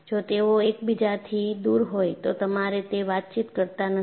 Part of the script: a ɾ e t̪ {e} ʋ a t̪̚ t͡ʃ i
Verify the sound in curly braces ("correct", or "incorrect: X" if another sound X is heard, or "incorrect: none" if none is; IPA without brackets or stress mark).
correct